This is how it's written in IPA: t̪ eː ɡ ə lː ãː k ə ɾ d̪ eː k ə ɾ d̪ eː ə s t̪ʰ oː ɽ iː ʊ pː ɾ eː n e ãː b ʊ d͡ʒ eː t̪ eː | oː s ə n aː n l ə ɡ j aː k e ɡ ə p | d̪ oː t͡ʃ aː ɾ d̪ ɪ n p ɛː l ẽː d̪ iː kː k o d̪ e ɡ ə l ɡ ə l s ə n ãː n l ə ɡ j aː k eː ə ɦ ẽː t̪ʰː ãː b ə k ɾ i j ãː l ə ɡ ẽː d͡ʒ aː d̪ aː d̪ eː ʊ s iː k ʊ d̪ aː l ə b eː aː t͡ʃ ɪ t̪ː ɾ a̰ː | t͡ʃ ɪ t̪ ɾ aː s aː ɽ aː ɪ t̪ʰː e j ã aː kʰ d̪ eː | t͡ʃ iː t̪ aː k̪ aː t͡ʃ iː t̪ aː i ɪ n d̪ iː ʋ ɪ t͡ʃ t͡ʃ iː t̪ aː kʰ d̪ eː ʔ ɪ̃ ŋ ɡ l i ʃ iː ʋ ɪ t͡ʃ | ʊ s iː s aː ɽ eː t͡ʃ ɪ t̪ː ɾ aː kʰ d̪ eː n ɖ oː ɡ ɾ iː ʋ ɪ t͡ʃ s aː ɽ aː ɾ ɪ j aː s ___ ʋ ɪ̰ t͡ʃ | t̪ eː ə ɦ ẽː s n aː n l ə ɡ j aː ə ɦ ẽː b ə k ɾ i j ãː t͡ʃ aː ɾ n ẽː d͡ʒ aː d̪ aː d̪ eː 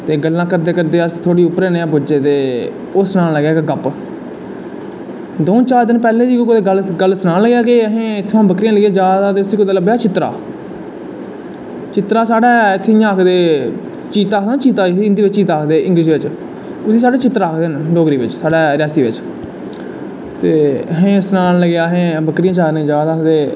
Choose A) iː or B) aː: A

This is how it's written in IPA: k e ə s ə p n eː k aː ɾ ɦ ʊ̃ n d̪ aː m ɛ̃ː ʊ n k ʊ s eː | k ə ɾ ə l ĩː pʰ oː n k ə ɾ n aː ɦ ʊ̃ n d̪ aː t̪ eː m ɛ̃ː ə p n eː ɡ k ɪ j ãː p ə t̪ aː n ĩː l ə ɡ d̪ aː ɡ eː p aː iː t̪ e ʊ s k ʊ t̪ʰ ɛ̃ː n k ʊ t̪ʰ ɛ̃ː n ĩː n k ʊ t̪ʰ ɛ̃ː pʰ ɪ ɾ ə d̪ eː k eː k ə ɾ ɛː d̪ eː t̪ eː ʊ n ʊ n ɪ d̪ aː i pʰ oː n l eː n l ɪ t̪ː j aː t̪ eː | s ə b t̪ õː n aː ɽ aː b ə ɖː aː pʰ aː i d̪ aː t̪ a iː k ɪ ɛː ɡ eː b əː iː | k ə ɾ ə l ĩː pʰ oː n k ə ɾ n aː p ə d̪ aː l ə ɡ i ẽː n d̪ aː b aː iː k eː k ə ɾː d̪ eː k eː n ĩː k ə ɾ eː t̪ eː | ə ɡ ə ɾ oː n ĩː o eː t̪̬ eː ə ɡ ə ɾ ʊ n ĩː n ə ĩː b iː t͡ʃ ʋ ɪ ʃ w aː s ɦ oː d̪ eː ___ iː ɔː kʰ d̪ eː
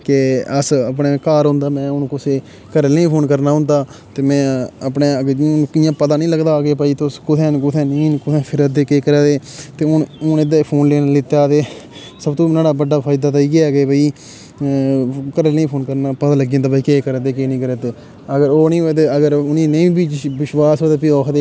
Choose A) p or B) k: A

